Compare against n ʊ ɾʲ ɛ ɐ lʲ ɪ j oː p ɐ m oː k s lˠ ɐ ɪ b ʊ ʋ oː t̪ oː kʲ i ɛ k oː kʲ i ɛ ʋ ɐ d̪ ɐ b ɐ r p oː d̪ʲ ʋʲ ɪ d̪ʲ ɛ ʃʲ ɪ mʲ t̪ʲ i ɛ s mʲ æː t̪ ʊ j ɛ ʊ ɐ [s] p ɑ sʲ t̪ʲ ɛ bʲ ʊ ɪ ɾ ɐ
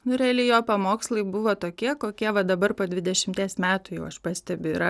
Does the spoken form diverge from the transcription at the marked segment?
yes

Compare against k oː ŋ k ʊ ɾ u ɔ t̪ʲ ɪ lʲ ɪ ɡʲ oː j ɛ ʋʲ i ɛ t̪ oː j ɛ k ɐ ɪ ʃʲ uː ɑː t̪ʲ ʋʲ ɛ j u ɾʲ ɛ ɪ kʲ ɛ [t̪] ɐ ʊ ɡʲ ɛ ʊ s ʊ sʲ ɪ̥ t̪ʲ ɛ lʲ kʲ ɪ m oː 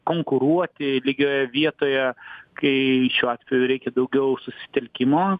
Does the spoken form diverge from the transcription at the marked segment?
yes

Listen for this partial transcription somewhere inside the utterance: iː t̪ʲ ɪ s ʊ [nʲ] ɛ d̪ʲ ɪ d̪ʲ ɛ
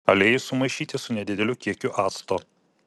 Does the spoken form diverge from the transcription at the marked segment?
no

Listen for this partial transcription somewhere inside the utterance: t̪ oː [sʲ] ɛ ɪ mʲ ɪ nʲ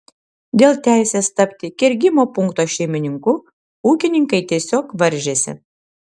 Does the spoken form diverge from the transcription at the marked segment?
yes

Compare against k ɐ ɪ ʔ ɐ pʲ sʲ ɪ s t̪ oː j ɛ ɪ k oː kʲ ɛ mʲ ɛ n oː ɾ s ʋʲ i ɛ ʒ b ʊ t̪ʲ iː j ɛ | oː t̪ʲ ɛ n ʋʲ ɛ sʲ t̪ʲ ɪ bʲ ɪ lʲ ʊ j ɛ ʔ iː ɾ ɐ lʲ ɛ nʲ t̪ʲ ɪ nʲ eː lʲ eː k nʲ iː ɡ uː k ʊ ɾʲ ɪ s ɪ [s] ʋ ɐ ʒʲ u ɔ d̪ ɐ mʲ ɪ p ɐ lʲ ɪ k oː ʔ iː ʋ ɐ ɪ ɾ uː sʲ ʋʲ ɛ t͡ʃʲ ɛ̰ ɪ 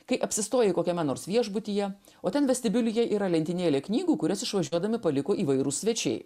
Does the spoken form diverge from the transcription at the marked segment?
yes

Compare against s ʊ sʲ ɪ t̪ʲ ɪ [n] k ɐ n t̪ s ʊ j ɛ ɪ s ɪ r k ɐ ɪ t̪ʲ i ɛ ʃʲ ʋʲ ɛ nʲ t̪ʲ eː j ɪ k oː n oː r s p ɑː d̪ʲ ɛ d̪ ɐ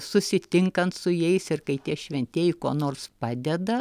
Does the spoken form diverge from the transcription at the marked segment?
yes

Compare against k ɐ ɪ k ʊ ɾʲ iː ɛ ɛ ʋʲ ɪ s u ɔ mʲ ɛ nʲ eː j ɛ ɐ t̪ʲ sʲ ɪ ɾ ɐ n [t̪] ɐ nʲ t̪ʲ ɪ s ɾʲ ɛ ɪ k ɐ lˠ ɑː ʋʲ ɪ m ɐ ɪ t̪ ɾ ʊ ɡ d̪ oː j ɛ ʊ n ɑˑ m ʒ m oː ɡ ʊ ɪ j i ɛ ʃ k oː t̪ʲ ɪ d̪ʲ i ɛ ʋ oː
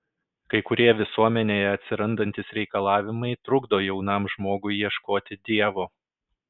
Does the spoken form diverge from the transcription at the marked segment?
yes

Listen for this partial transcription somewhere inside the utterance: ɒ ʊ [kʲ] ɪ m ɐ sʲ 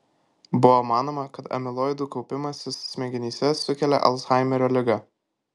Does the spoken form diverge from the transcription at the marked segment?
yes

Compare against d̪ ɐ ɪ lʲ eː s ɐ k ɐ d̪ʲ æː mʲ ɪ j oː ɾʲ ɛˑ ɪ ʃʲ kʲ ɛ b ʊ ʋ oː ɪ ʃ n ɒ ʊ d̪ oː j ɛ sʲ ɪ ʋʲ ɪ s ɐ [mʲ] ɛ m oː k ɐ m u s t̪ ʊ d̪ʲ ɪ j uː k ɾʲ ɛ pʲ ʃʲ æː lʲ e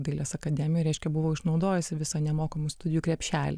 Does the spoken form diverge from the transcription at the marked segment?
yes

